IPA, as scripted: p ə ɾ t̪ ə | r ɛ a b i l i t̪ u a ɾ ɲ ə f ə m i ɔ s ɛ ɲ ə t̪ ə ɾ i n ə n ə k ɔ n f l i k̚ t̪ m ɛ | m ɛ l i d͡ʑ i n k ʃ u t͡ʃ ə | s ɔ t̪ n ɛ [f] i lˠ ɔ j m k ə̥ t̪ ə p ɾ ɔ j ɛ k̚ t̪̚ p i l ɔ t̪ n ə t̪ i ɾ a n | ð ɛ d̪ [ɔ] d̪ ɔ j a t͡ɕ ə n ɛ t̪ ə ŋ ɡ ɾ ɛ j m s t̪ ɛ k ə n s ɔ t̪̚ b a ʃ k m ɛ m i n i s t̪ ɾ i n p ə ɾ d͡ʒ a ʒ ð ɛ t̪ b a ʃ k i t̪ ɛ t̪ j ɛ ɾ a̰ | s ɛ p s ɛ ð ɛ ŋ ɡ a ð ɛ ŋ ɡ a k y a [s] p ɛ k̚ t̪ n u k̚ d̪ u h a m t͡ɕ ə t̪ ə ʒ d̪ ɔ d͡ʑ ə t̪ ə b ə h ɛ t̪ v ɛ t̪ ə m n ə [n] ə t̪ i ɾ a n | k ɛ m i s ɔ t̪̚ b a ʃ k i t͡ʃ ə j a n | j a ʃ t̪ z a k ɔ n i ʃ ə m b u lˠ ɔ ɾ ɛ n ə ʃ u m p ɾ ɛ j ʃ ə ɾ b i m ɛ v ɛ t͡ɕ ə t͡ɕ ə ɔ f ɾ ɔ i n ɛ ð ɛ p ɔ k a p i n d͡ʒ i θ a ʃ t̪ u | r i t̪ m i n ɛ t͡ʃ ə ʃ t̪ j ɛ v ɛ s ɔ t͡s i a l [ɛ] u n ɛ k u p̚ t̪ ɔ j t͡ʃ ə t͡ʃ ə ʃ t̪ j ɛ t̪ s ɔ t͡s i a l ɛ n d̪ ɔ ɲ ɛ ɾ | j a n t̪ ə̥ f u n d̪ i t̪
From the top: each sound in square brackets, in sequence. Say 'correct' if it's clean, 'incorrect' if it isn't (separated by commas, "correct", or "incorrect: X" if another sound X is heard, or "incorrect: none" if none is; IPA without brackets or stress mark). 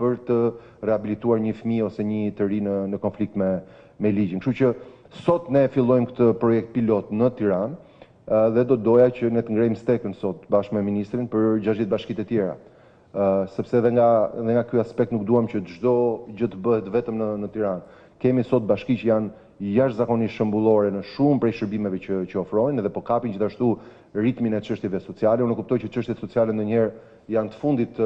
correct, correct, correct, correct, correct